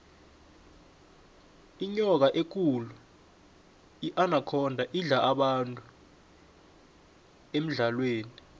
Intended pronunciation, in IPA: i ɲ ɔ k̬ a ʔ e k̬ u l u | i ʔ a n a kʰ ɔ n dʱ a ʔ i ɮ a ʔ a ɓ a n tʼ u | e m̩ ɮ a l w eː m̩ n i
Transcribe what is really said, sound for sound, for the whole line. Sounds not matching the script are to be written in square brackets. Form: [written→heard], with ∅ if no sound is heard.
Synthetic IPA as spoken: i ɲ ɔ k̬ a ʔ e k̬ u l u | i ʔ a n a kʰ ɔ n dʱ a ʔ i ɮ a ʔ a ɓ a n tʼ u | e m̩ ɮ a l w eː [m̩→∅] n i